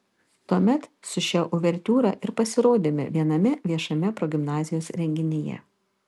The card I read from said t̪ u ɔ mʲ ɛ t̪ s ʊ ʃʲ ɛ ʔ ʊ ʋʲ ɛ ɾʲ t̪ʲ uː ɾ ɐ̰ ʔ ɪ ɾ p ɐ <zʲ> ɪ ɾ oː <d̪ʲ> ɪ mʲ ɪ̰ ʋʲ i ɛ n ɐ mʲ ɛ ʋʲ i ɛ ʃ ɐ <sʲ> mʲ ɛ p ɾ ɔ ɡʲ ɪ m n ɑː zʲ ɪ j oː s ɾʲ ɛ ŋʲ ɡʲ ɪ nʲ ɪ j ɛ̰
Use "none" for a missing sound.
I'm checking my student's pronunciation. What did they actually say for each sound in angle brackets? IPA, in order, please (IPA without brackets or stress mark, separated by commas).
sʲ, d̪ʲ, none